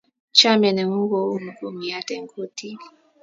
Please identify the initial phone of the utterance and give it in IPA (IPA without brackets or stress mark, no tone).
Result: t͡ʃ